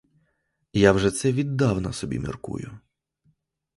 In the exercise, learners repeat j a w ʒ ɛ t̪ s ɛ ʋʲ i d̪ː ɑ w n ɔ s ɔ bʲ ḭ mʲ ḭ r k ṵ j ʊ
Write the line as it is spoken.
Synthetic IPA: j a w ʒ ɛ t̪ s ɛ ʋʲ i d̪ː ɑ w n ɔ s ɔ bʲ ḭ mʲ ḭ r k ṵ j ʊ